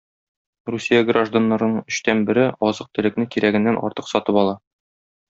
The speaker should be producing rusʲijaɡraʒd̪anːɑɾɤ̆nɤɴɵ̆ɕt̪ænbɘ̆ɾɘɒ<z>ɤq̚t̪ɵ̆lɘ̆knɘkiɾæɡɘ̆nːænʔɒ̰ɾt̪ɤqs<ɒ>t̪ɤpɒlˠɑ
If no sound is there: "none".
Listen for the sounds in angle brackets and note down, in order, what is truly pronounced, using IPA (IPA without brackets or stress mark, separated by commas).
z, ɒ